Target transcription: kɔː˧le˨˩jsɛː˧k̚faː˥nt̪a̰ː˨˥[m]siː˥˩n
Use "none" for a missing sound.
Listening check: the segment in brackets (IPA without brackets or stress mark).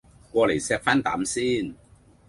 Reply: m